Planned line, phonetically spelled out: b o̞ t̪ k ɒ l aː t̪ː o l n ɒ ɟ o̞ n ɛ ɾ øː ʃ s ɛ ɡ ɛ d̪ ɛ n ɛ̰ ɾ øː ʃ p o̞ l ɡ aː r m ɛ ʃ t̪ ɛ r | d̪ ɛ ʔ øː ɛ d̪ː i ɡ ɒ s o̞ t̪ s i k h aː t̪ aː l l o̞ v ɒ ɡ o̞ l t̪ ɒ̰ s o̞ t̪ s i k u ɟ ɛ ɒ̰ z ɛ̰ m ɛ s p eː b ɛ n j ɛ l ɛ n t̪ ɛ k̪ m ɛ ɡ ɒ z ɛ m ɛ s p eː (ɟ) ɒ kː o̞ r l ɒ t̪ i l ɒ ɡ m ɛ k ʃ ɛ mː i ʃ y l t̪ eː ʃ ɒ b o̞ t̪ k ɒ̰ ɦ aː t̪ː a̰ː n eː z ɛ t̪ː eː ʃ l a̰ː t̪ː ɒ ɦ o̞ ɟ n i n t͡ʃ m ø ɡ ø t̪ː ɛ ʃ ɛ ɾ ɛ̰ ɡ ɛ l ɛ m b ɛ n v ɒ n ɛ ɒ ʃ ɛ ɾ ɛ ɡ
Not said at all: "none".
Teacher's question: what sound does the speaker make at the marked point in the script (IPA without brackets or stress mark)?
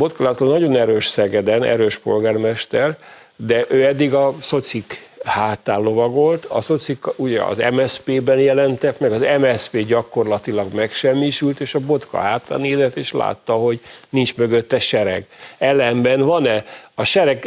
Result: ɟ